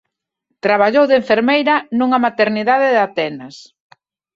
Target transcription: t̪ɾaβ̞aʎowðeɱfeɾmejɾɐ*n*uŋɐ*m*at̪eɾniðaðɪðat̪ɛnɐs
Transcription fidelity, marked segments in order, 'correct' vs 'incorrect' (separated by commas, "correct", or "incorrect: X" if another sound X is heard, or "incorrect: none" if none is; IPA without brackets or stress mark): correct, correct